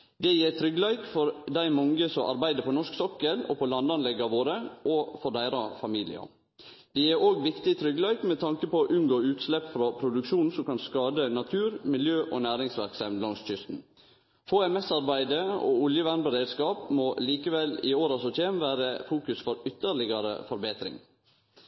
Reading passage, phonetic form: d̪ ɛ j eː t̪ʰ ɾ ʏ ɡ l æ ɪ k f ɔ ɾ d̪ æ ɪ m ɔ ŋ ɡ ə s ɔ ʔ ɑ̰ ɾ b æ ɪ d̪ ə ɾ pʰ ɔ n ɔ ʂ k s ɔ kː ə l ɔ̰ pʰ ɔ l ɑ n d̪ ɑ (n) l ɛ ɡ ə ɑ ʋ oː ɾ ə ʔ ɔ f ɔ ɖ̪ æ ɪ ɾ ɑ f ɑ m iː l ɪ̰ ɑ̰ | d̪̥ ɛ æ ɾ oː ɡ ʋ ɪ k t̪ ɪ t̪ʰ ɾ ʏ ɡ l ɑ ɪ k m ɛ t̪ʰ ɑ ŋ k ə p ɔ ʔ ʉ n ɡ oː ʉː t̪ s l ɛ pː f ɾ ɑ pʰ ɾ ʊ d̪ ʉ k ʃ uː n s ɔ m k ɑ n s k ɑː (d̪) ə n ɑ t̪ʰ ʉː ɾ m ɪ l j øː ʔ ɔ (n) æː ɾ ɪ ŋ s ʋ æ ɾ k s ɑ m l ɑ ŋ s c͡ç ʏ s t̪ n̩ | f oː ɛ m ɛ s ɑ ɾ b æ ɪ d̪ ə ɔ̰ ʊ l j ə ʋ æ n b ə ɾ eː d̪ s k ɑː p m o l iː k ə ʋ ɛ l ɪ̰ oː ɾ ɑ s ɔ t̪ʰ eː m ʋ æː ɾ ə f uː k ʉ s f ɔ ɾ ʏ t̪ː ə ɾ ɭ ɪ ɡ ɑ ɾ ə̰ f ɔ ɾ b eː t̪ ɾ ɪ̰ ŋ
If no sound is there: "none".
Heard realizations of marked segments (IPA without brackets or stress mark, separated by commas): n, d̪, n